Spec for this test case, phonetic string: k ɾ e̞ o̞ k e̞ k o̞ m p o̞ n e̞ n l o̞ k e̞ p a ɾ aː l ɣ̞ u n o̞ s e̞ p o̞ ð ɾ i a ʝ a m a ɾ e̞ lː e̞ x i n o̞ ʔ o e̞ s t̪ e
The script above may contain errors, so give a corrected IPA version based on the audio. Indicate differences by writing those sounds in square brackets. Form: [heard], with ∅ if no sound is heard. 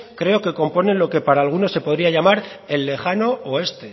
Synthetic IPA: k ɾ e̞ o̞ k e̞ k o̞ m p o̞ n e̞ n l o̞ k e̞ p a ɾ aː l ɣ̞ u n o̞ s e̞ p o̞ ð ɾ i a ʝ a m a ɾ e̞ lː e̞ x [a] n o̞ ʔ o e̞ s t̪ e